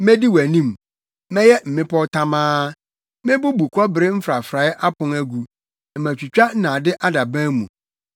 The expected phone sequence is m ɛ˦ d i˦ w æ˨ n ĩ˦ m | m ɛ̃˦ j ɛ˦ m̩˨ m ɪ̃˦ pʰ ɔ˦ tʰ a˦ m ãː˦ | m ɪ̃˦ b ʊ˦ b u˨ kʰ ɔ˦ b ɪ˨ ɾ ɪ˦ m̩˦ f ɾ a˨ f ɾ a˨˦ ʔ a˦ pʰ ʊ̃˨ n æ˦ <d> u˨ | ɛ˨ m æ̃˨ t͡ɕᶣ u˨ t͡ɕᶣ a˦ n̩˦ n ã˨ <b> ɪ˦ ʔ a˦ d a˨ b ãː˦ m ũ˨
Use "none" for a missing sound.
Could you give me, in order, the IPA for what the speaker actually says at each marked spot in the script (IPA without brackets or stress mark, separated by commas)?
ɡ, d